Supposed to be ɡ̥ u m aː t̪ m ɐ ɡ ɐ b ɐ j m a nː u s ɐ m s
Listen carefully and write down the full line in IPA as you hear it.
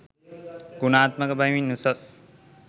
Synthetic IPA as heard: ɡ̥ u n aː t̪ m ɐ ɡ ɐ b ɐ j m i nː u s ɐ s